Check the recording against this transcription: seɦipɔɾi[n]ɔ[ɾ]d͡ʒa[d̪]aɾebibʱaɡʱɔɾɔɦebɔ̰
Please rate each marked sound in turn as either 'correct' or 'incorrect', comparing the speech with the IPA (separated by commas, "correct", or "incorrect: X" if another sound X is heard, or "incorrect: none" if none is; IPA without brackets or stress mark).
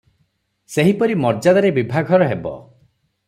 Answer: incorrect: m, correct, correct